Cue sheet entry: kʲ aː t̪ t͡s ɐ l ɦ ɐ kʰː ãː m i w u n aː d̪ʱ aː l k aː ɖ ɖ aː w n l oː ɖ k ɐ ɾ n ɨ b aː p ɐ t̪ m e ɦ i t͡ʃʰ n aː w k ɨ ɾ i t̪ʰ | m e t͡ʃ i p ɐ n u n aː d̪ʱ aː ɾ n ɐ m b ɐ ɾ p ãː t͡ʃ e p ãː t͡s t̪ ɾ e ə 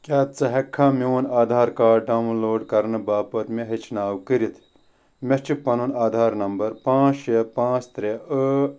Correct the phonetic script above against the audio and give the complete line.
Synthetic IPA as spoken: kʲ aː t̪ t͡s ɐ ɦ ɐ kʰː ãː m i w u n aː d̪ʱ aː ɾ k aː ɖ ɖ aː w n l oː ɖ k ɐ ɾ n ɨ b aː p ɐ t̪ m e ɦ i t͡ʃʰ n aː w k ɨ ɾ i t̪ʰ | m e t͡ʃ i p ɐ n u n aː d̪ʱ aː ɾ n ɐ m b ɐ ɾ p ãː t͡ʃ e p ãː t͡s t̪ ɾ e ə